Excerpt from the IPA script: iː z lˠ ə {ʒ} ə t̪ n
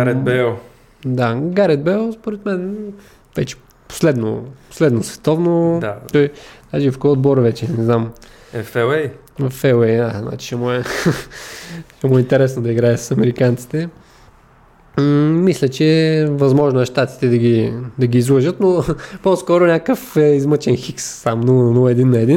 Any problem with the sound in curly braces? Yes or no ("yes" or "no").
no